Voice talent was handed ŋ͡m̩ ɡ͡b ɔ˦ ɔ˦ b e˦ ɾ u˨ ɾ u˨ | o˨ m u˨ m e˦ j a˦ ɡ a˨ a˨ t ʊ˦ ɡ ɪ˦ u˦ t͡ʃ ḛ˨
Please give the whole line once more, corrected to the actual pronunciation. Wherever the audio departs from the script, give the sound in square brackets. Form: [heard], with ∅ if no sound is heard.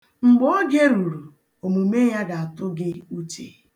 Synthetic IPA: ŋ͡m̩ ɡ͡b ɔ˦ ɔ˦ [ɡ] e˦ ɾ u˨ ɾ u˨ | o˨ m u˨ m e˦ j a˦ ɡ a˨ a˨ t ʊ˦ ɡ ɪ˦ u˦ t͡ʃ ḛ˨

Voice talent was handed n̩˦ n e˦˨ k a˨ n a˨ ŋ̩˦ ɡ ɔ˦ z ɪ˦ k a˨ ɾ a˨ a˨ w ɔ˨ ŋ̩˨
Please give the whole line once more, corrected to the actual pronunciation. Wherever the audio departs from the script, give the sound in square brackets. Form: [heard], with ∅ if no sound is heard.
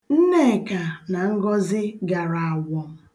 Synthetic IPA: n̩˦ n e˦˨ k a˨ n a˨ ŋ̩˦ ɡ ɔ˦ z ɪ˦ [ɡ] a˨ ɾ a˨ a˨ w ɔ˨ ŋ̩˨

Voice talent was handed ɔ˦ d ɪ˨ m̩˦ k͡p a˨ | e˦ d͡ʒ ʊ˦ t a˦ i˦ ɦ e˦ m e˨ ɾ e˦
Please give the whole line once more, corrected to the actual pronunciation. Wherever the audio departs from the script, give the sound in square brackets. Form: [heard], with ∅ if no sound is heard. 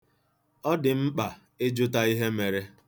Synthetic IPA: ɔ˦ d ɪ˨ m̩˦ k͡p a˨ | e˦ d͡ʒ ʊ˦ t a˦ i˦ ɦ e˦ m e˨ ɾ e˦

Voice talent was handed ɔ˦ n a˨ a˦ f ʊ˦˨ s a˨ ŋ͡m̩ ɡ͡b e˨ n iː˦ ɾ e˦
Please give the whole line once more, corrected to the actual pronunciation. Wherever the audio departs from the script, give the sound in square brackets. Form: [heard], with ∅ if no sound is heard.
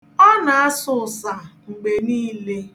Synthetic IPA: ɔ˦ n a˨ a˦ [s] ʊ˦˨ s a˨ ŋ͡m̩ ɡ͡b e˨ n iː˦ [l] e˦

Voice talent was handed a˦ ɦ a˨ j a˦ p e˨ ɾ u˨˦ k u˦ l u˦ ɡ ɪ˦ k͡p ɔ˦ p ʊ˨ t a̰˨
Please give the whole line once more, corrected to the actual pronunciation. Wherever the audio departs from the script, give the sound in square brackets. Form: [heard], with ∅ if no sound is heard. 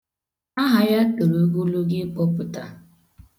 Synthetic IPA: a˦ ɦ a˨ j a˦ [k] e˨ ɾ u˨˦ [ɡ] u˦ l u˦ ɡ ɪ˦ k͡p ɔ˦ p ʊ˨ t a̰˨

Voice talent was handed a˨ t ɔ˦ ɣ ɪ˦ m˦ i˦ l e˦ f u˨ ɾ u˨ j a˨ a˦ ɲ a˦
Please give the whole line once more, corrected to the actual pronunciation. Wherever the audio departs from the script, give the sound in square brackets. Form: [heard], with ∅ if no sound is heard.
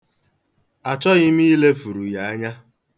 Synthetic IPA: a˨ [t͡ʃ] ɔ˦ ɣ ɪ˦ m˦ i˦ l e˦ f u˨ ɾ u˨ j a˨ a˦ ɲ a˦

